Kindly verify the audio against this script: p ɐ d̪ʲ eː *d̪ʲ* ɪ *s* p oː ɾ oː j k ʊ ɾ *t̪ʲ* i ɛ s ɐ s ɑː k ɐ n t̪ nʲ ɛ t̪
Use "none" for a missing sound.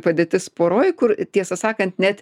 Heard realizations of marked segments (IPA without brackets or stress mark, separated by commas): t̪ʲ, s, t̪ʲ